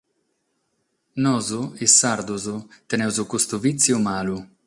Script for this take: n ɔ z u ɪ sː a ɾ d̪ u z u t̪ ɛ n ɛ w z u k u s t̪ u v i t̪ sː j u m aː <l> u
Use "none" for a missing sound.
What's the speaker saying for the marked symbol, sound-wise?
l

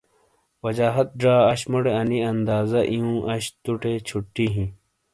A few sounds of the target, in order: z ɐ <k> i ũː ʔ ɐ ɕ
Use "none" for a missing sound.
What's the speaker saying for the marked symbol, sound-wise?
ʔ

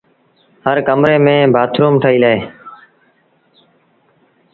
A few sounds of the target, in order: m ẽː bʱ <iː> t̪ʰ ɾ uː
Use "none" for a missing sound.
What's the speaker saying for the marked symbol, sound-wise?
aː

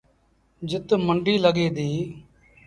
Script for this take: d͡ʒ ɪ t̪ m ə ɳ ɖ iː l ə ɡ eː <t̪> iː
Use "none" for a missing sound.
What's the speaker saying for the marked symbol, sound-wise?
d̪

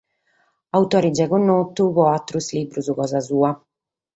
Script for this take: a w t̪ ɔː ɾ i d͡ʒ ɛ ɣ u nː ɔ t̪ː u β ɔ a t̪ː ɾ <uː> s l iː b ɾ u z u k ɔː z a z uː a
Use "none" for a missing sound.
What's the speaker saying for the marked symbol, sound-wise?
u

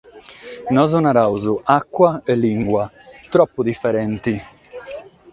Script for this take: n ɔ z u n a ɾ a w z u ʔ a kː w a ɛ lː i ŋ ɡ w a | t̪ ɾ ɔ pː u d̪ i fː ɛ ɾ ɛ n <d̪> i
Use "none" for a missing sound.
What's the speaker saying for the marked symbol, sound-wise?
t̪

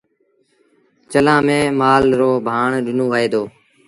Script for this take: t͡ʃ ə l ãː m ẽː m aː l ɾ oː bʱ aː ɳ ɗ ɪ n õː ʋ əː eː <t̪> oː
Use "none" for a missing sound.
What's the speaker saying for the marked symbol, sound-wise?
d̪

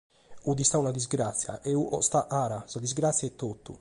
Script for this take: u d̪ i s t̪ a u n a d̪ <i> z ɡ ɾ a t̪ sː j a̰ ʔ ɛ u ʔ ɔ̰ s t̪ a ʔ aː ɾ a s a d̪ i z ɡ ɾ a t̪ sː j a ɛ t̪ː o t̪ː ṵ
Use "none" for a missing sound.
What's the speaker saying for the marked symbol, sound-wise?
i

